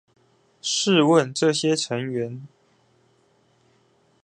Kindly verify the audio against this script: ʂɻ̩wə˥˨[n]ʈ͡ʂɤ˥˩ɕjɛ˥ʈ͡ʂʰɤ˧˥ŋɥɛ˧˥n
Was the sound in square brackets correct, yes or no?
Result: yes